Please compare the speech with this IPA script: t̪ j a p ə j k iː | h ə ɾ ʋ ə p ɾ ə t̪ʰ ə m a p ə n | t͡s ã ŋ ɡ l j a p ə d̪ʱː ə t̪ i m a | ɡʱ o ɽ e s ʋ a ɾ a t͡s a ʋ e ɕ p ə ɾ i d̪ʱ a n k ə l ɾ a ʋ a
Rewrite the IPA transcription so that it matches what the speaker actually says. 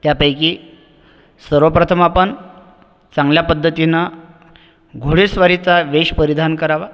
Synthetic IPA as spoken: t̪ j a p ə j k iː | s ə ɾ ʋ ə p ɾ ə t̪ʰ ə m a p ə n | t͡s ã ŋ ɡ l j a p ə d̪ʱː ə t̪ i n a | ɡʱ o ɽ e s ʋ a ɾ i t͡s a ʋ e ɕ p ə ɾ i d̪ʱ a n k ə ɾ a ʋ a